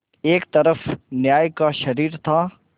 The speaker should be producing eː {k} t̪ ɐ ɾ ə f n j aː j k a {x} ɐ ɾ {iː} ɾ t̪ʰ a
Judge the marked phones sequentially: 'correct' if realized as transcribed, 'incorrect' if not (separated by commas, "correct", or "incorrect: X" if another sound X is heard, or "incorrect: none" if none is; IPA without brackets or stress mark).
correct, incorrect: ʃ, correct